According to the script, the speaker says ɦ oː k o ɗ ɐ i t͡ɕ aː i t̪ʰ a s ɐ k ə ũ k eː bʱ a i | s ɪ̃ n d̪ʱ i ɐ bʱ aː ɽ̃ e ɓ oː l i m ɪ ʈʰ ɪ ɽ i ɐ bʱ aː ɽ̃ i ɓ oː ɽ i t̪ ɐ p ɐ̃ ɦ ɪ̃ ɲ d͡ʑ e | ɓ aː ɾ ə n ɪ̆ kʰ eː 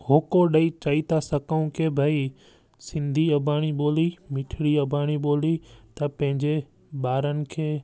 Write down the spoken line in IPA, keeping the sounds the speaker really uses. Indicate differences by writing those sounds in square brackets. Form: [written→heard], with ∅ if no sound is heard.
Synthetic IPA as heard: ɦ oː k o ɗ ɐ i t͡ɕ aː i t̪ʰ a s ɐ k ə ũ k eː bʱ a i | s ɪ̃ n d̪ʱ i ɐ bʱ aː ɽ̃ [e→i] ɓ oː l i m ɪ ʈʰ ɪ ɽ i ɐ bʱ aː ɽ̃ i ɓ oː [ɽ→l] i t̪ ɐ p ɐ̃ ɦ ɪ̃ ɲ d͡ʑ e | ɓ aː ɾ ə n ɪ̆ kʰ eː